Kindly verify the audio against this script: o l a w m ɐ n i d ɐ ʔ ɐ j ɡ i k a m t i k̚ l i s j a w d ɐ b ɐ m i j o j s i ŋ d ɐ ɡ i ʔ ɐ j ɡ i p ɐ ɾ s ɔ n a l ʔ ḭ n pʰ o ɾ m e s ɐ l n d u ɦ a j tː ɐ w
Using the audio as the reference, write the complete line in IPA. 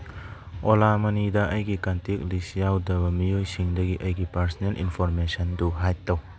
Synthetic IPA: o l a m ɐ n i d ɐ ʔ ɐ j ɡ i k a n t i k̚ l i s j a w d ɐ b ɐ m i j o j s i ŋ d ɐ ɡ i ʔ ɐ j ɡ i p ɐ ɾ s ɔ n e l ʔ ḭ n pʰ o ɾ m e s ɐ n d u ɦ a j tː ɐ w